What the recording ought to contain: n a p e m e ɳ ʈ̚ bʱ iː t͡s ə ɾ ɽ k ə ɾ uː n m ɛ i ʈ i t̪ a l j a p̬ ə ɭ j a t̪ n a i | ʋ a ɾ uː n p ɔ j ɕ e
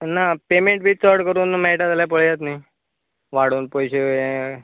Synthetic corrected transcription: n a p e m e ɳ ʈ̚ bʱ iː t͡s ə ɾ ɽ k ə ɾ uː n m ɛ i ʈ a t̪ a l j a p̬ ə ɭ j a t̪ n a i | ʋ a ɽ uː n p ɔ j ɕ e